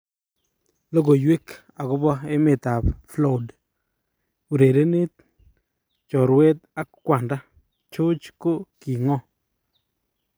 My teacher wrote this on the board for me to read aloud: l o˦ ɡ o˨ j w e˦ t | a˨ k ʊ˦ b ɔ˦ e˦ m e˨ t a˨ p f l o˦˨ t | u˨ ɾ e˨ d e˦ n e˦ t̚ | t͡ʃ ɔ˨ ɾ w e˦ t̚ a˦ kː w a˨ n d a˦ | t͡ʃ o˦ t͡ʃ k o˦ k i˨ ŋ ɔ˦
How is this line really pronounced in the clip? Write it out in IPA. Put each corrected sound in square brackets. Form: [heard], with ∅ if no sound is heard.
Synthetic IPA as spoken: l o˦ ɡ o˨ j w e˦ [k] | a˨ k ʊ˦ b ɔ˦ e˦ m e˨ t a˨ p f l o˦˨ [d] | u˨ ɾ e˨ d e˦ n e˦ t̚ | t͡ʃ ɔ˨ ɾ w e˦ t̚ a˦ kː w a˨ n d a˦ | t͡ʃ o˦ t͡ʃ k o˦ k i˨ ŋ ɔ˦

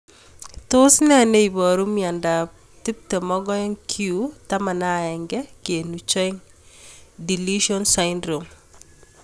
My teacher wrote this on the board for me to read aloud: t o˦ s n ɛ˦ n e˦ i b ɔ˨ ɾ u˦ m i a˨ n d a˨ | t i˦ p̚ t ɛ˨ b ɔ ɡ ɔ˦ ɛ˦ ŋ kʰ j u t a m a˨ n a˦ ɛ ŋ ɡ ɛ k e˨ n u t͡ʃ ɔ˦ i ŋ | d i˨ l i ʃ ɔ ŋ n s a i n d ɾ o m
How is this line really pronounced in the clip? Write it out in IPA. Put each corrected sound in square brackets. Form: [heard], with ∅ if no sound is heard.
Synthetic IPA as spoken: t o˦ s n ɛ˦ n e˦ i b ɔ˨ ɾ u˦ m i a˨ n d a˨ | t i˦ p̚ t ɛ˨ [m] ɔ ɡ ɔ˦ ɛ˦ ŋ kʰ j u t a m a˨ n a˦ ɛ ŋ ɡ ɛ k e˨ n u t͡ʃ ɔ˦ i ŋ | d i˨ l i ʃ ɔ [∅] n s a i n d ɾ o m

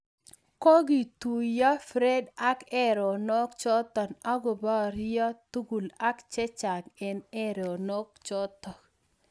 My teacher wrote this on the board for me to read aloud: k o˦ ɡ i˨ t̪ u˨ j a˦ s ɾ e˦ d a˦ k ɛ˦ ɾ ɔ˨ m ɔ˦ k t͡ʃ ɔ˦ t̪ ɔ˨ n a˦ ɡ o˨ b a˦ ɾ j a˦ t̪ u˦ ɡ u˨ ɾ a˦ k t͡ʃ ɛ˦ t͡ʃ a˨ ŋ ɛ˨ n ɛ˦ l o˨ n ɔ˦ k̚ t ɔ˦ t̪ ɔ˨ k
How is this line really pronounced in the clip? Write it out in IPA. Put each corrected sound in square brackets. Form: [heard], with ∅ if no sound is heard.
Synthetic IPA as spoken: k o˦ ɡ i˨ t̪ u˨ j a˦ [f] ɾ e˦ d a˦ k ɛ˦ ɾ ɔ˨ [n] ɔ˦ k t͡ʃ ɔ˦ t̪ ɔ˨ n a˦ ɡ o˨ b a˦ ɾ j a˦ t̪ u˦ ɡ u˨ [l] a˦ k t͡ʃ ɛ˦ t͡ʃ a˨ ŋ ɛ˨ n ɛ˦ [ɾ] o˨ n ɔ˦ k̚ [t͡ʃ] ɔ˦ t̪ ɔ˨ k

